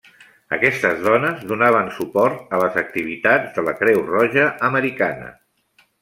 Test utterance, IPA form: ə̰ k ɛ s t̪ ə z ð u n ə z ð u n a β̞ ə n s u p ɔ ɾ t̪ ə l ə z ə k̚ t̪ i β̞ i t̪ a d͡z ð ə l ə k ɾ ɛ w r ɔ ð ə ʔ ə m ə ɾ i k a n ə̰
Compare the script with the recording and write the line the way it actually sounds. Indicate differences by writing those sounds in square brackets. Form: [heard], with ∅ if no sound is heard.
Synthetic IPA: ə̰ k ɛ s t̪ ə z ð [ɔ] n ə z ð u n a β̞ ə n s u p ɔ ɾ t̪ ə l ə z ə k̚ t̪ i β̞ i t̪ a d͡z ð ə l ə k ɾ ɛ w r ɔ [ʒ] ə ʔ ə m ə ɾ i k a n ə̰